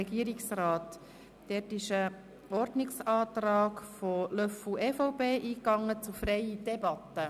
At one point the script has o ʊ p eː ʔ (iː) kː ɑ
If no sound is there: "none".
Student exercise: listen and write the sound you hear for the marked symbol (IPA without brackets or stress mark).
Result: iː